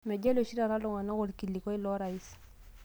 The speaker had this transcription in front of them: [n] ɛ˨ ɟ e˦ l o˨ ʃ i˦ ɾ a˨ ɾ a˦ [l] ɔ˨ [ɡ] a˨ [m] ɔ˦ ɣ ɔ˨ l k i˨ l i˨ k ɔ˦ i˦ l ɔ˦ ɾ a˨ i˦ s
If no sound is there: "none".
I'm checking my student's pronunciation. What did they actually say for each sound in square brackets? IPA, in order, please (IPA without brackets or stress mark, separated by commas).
m, l, ŋ, n